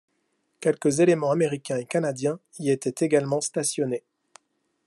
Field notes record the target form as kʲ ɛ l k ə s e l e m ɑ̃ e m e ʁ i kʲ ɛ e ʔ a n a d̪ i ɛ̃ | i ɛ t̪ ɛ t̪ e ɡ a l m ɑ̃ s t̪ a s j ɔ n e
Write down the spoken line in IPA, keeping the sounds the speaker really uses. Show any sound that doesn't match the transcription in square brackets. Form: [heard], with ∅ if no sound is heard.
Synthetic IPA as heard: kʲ ɛ l k ə [z] e l e m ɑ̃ [a] m e ʁ i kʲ [ɛ̃] e [k] a n a d̪ [j] ɛ̃ | i [e] t̪ ɛ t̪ e ɡ a l m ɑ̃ s t̪ a s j ɔ n e